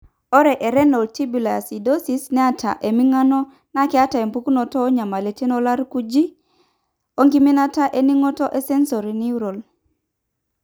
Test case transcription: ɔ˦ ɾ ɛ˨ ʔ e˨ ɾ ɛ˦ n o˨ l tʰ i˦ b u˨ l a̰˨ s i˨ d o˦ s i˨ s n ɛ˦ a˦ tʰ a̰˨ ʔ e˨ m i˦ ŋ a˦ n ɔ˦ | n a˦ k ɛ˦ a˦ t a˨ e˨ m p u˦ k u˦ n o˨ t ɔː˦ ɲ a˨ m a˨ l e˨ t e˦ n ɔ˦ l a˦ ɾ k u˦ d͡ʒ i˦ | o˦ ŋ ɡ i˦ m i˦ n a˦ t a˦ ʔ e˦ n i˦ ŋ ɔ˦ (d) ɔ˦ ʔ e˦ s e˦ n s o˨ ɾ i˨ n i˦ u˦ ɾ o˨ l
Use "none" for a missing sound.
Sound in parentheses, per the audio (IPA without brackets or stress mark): t